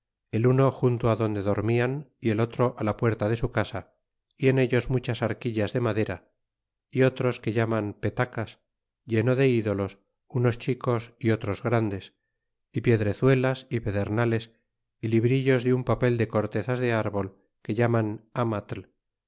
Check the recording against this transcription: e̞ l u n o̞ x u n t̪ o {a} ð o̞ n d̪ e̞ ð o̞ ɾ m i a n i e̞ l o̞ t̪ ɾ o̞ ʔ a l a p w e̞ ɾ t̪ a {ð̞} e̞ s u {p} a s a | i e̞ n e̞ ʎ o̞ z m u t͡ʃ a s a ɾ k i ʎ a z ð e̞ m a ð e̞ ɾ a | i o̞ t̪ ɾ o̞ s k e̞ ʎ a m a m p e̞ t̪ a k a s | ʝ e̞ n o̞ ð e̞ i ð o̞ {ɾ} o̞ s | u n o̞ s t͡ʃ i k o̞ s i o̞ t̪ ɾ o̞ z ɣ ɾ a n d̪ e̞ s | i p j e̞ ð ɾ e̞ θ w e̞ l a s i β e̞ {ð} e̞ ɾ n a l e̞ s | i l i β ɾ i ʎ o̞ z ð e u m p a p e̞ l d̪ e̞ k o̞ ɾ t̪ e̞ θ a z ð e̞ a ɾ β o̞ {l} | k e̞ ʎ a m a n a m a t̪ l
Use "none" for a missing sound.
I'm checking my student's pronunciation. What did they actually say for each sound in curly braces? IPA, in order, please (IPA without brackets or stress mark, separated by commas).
a, ð̞, k, l, ð, l